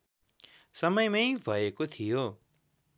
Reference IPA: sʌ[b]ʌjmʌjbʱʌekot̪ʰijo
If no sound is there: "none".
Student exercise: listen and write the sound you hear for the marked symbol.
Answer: m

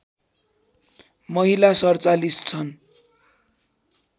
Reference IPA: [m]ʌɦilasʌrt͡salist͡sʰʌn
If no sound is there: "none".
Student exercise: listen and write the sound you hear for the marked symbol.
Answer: m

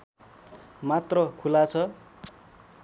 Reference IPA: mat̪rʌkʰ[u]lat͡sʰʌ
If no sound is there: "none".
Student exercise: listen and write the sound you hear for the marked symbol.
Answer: u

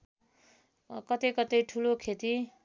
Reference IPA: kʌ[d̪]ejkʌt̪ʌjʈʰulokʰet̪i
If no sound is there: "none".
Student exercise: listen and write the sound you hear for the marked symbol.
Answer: t̪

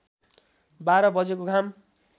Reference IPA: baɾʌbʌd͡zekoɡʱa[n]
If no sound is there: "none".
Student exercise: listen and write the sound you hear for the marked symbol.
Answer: m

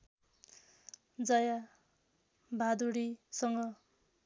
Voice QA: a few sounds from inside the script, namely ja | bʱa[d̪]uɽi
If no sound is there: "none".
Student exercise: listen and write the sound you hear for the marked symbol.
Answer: d̪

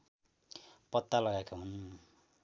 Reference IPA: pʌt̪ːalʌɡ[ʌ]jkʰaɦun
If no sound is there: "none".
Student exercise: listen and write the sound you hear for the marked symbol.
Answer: a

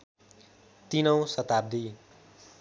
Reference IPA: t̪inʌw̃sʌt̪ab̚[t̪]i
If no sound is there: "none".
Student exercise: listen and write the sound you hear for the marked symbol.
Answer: d̪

